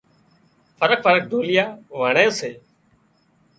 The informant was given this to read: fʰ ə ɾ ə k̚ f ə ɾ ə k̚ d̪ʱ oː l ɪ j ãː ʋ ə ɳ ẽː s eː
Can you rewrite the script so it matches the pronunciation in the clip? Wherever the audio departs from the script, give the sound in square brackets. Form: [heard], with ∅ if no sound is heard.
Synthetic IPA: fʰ ə ɾ ə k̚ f ə ɾ ə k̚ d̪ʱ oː l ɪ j [aː] ʋ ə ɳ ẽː s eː